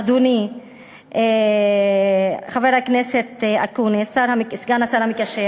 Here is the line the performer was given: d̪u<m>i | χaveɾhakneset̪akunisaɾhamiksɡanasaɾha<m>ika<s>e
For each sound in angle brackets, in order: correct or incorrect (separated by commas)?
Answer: incorrect, correct, incorrect